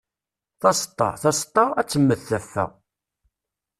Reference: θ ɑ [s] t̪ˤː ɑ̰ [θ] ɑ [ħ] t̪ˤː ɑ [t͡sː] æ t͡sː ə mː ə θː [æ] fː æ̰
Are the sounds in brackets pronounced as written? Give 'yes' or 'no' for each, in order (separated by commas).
yes, yes, no, no, yes